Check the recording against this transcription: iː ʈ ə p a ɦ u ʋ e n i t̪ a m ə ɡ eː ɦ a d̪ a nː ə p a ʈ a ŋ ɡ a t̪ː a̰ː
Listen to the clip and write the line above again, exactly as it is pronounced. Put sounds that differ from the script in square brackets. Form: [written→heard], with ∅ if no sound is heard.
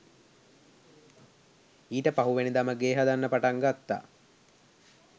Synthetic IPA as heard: iː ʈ ə p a ɦ u ʋ e n i [t̪→d̪] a m ə ɡ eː ɦ a d̪ a nː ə p a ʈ a ŋ ɡ a t̪ː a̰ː